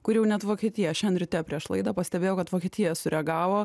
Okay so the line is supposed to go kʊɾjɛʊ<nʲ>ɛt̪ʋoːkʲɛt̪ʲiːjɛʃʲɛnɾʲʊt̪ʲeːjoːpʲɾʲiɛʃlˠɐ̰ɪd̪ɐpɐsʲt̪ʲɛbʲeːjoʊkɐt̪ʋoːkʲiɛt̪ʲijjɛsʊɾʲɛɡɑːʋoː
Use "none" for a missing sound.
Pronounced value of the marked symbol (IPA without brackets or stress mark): nʲ